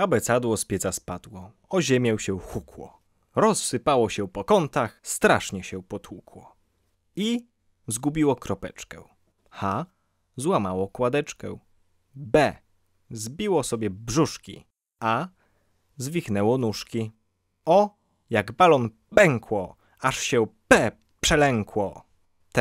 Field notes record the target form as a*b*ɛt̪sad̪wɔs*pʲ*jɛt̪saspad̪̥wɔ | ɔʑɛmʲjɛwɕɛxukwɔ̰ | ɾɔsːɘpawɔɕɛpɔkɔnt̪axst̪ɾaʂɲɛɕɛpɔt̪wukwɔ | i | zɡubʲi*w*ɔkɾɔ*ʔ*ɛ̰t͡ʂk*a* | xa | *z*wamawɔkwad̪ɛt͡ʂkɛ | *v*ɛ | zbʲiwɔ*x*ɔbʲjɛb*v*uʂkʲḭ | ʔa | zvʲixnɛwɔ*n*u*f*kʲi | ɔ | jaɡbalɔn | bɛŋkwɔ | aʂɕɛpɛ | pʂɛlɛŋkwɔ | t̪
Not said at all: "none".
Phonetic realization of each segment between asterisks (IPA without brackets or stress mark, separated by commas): b, pʲ, w, p, ɛ, z, b, s, ʐ, n, ʂ